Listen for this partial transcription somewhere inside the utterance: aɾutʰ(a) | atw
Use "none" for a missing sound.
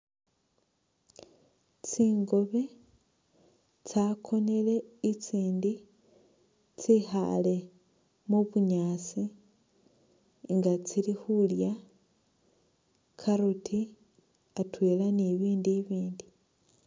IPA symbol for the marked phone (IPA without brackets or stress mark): i